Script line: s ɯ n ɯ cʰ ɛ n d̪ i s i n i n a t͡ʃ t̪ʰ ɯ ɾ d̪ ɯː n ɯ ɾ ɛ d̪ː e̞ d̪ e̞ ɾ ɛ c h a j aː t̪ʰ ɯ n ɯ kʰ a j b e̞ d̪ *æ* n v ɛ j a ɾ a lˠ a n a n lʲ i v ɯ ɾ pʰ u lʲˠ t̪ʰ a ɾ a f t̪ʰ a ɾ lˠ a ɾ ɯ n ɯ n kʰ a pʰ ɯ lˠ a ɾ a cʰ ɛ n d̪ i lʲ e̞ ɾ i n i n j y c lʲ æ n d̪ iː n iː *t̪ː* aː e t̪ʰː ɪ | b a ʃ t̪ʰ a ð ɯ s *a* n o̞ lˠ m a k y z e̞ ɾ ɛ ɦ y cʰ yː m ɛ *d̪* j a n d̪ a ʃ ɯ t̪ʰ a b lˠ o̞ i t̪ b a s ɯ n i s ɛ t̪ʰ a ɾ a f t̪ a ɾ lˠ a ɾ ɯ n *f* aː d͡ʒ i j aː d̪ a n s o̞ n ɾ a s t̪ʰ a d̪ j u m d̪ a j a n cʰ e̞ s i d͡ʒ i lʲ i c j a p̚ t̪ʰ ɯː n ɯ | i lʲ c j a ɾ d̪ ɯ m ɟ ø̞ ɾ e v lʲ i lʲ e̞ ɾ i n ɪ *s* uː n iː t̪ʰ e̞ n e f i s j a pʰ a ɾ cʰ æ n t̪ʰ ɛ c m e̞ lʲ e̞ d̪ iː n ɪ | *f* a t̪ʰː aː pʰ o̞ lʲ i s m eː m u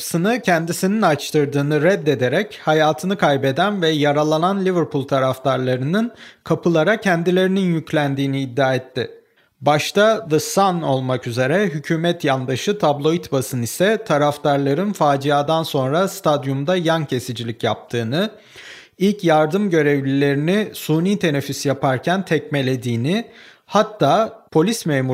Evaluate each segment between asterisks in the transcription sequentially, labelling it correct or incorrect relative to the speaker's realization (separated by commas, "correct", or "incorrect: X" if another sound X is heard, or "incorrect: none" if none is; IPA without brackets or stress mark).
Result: correct, incorrect: d̪ː, correct, incorrect: t̪, correct, correct, incorrect: h